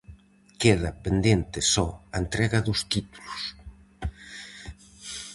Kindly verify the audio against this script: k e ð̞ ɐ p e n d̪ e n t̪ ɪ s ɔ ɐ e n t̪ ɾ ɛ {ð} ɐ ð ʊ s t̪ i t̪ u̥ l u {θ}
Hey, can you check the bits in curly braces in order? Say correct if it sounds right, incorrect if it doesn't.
incorrect, incorrect

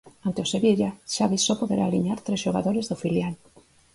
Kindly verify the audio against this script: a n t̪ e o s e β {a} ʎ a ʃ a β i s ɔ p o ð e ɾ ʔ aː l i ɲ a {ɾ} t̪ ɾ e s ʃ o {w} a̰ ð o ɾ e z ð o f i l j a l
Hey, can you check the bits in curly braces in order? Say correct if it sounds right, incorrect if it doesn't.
incorrect, correct, incorrect

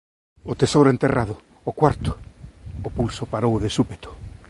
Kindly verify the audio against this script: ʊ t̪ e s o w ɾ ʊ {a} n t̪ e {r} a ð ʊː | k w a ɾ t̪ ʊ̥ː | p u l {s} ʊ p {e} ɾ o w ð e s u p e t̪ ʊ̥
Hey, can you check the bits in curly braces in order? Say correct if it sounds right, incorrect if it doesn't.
incorrect, correct, correct, incorrect

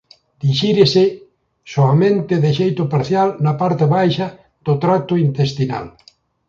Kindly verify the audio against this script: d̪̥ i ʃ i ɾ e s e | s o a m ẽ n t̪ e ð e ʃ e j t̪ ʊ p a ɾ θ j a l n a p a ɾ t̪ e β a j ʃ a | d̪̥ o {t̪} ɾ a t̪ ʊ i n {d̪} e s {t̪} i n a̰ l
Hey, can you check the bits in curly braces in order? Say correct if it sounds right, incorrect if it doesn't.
correct, incorrect, correct

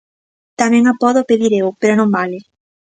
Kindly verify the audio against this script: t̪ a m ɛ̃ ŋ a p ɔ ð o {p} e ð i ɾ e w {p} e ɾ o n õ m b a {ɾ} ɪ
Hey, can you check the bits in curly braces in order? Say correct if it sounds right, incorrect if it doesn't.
correct, correct, incorrect

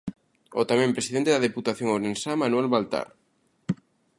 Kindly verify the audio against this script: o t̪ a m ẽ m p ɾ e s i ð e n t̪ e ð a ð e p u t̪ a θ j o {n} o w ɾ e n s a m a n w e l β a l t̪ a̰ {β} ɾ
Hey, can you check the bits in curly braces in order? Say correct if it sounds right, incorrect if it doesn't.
incorrect, incorrect

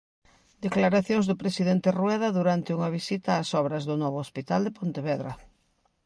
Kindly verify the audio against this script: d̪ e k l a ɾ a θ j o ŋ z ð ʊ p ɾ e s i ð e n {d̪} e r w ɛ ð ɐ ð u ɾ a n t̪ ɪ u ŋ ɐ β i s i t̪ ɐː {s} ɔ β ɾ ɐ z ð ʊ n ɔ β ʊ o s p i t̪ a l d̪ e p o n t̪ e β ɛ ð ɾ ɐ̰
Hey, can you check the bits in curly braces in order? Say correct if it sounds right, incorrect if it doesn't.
incorrect, correct

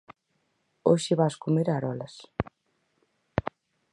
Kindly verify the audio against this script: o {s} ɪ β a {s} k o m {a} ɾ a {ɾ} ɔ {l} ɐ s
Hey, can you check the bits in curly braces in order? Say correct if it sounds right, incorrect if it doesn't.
incorrect, correct, incorrect, correct, correct

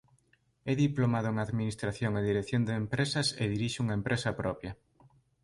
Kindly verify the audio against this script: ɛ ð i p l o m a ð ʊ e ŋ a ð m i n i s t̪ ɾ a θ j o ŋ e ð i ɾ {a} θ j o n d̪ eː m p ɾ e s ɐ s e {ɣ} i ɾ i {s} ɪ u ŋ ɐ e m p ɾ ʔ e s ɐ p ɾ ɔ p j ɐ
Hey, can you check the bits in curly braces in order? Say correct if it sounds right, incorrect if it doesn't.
incorrect, incorrect, incorrect

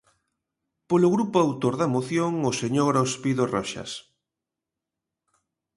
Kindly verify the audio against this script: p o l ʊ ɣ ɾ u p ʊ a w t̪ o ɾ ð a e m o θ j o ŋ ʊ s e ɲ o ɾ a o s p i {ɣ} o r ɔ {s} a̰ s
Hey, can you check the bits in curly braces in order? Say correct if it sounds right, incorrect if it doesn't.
incorrect, incorrect

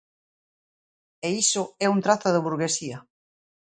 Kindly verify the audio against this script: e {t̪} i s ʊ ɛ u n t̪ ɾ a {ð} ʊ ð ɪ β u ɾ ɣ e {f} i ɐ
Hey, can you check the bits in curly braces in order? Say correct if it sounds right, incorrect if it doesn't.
incorrect, incorrect, incorrect

